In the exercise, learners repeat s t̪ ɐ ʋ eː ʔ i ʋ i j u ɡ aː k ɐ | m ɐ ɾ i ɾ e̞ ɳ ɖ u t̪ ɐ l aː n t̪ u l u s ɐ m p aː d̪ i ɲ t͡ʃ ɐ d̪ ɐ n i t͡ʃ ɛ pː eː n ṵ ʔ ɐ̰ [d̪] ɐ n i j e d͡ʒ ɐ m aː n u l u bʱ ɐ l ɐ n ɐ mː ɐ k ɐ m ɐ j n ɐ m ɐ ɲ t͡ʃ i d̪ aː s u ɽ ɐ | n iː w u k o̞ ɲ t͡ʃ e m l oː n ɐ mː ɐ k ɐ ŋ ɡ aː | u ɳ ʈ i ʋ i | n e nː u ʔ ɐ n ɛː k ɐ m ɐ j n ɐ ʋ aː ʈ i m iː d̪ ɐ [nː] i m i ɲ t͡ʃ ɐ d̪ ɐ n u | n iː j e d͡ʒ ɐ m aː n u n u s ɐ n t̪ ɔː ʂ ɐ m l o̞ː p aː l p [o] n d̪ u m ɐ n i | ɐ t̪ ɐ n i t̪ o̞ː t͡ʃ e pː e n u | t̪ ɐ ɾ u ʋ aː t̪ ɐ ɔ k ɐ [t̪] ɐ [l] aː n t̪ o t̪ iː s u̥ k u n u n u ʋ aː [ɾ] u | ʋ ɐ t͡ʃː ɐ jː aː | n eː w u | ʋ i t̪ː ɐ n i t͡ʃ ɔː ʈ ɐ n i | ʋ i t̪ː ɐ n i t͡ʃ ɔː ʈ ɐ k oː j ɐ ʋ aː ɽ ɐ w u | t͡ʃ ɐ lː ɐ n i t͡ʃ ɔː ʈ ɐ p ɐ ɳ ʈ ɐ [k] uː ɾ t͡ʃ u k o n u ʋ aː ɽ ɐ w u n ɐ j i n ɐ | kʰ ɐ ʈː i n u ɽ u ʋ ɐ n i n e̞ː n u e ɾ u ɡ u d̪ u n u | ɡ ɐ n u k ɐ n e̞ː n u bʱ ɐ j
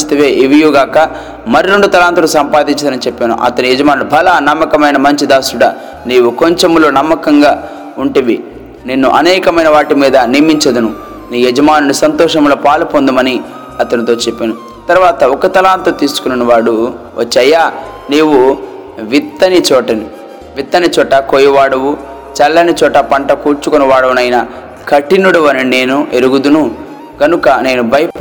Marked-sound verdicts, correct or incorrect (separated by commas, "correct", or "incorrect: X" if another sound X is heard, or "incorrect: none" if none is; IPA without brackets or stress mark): incorrect: t̪, incorrect: n, correct, correct, correct, incorrect: ɽ, correct